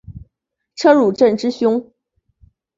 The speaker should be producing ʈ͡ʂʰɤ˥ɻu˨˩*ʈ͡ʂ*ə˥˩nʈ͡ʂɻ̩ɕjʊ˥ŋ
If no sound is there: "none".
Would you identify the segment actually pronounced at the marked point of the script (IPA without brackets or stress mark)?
ʈ͡ʂ